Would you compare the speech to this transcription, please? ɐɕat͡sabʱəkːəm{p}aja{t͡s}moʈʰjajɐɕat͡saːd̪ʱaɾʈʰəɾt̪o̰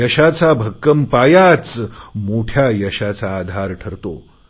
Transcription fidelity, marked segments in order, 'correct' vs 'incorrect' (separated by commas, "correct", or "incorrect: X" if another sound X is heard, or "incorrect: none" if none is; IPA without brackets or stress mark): correct, correct